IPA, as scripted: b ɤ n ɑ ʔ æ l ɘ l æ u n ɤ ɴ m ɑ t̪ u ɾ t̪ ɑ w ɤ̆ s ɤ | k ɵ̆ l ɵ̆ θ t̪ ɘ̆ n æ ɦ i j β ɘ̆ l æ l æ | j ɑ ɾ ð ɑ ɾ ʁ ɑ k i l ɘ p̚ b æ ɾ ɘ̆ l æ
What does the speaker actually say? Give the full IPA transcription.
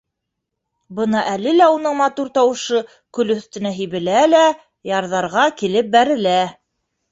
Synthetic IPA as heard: b ɤ n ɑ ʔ æ l ɘ l æ u n ɤ ɴ m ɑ t̪ u ɾ t̪ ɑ w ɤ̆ ʃ ɤ | k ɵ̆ l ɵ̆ θ t̪ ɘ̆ n æ ɦ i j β ɘ̆ l æ l æ | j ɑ ɾ ð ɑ ɾ ʁ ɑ k i l ɘ p̚ b æ ɾ ɘ̆ l æ